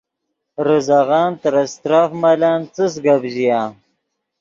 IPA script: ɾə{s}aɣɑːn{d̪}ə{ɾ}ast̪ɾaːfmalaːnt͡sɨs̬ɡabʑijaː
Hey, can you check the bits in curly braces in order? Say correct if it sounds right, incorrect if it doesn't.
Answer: incorrect: z, incorrect: t̪, correct

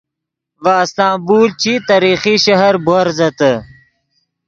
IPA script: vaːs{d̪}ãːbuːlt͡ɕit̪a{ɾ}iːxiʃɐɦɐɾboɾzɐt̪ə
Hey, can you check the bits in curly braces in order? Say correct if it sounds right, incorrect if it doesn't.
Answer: incorrect: t̪, correct

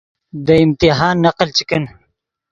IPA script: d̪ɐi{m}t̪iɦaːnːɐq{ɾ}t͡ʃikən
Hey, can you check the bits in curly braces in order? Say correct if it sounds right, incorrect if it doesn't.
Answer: correct, incorrect: l

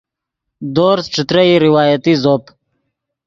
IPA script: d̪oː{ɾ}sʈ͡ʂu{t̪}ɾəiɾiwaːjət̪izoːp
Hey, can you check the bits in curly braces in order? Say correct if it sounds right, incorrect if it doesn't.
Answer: correct, correct

